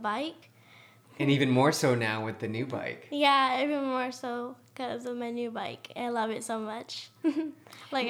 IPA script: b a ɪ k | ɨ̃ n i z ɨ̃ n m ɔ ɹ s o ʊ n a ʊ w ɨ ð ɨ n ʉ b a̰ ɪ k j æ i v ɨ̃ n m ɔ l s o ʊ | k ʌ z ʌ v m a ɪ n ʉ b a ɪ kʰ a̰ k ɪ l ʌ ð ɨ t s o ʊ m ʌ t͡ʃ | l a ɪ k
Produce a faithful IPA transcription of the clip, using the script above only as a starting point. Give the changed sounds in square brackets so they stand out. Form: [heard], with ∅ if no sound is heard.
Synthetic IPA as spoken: b a ɪ k | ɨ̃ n i [v] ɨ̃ n m ɔ ɹ s o ʊ n a ʊ w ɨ ð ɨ n ʉ b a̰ ɪ k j æ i v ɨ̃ n m ɔ [ɹ] s o ʊ | k ʌ z ʌ v m a ɪ n ʉ b a ɪ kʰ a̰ [∅] ɪ l ʌ [v] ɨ t s o ʊ m ʌ t͡ʃ | l a ɪ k